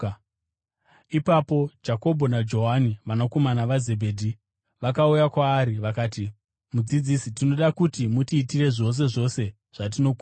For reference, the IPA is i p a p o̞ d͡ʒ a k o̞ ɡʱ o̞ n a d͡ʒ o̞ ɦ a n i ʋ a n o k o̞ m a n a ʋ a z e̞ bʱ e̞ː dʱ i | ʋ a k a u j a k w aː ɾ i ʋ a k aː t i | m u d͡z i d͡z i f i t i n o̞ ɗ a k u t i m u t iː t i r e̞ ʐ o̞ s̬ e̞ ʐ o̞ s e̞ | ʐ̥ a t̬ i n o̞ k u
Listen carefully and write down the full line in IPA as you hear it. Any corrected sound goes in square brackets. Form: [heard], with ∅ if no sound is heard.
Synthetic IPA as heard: i p a p o̞ d͡ʒ a k o̞ [bʱ] o̞ n a d͡ʒ o̞ ɦ a n i ʋ a n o k o̞ m a n a ʋ a z e̞ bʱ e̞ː dʱ i | ʋ a k a u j a k w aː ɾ i ʋ a k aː t i | m u d͡z i d͡z i [s] i t i n o̞ ɗ a k u t i m u t iː t i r e̞ ʐ o̞ s̬ e̞ ʐ o̞ s e̞ | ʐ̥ a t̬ i n o̞ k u